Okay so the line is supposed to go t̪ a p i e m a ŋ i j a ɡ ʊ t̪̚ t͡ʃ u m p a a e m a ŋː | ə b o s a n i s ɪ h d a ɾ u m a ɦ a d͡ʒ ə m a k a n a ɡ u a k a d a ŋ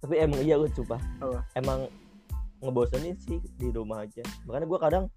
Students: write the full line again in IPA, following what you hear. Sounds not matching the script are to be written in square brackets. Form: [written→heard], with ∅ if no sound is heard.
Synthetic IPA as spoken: t̪ a p i e m a ŋ i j a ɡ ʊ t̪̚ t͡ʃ u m p a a e m a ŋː | ə b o s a n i s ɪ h d [a→i] ɾ u m a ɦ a d͡ʒ [ə→a] m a k a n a ɡ u a k a d a ŋ